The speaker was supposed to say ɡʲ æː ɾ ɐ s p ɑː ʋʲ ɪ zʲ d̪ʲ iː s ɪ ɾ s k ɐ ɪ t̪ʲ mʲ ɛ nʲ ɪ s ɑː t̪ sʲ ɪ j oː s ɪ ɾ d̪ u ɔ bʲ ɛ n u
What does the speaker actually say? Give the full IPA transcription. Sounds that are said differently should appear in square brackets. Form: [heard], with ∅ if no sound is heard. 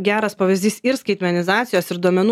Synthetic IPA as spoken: ɡʲ æː ɾ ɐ s p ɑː ʋʲ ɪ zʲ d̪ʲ iː s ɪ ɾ s k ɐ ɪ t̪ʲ mʲ ɛ nʲ ɪ [z] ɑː t̪ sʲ ɪ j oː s ɪ ɾ d̪ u ɔ [mʲ] ɛ n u

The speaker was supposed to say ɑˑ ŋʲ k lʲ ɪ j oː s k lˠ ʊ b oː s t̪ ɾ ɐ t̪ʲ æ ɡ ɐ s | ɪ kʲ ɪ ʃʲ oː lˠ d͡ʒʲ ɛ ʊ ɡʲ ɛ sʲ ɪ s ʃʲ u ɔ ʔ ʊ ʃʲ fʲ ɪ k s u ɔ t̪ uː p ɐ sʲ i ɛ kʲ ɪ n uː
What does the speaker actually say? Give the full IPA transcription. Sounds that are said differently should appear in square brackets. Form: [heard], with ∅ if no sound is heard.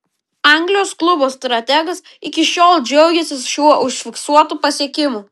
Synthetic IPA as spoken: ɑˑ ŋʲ [ɡ] lʲ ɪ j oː s k lˠ ʊ b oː s t̪ ɾ ɐ t̪ʲ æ ɡ ɐ s | ɪ kʲ ɪ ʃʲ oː lˠ d͡ʒʲ ɛ ʊ ɡʲ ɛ sʲ ɪ s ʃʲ u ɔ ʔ ʊ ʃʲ fʲ ɪ k s u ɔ t̪ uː p ɐ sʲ i ɛ kʲ ɪ [m] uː

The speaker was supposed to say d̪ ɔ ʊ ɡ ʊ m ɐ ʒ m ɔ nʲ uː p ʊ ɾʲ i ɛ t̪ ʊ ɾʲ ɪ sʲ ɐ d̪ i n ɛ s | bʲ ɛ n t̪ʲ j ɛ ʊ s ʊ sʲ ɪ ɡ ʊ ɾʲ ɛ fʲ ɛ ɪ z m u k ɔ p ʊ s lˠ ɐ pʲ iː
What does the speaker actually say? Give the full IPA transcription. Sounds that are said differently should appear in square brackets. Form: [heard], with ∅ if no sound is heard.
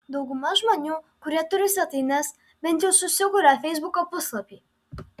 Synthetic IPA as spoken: d̪ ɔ ʊ ɡ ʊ m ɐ ʒ m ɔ nʲ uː [k] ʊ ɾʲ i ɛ t̪ ʊ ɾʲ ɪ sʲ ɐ [t̪] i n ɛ s | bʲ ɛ n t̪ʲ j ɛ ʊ s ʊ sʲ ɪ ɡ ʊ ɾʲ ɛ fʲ ɛ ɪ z [b] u k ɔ p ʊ s lˠ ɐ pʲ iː

